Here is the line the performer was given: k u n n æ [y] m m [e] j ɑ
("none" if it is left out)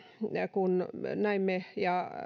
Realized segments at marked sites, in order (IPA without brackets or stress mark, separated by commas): i, e